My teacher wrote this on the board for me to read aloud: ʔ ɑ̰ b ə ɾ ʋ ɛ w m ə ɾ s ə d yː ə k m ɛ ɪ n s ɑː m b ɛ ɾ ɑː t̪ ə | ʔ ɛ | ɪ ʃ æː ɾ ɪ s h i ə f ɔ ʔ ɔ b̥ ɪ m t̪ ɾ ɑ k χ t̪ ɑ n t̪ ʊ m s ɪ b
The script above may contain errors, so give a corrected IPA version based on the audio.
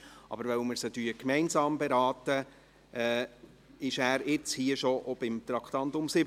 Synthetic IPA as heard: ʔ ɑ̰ b ə ɾ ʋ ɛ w m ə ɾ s ə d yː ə k m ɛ ɪ n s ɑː m b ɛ ɾ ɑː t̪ ə | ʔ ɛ | ɪ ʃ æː ɾ ɪ t͡s h i ə ʃ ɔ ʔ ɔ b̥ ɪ m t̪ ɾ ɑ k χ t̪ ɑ n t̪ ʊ m s ɪ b